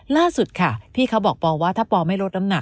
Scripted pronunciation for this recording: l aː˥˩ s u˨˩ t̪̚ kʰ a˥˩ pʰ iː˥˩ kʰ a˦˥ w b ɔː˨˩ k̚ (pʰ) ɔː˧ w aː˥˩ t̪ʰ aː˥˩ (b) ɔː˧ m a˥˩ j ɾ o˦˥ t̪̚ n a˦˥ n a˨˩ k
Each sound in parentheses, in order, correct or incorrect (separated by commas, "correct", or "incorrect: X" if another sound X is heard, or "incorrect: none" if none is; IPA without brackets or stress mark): incorrect: p, incorrect: p